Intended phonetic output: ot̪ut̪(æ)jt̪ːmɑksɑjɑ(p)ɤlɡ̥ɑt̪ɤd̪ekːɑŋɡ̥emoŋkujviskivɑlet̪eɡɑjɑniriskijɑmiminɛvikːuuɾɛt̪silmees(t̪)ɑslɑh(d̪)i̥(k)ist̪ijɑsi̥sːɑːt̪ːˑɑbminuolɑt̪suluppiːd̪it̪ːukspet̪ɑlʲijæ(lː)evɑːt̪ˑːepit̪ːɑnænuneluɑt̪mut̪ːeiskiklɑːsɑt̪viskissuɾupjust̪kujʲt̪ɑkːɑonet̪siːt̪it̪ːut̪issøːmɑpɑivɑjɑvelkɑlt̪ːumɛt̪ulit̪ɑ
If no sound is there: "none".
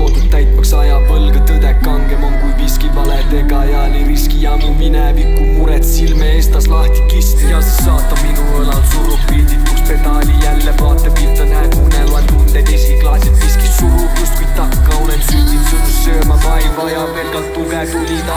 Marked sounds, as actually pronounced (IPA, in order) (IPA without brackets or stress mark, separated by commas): æ, p, t̪, t̪, k, lː